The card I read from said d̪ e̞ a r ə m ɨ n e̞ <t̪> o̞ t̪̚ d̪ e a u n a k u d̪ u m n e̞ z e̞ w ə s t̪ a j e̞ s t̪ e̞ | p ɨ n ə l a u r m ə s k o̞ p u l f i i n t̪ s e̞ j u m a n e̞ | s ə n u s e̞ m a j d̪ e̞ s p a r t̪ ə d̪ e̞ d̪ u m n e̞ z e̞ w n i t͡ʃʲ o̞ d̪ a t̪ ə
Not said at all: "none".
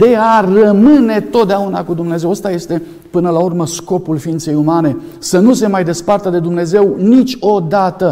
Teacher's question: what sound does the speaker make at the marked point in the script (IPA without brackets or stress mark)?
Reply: t̪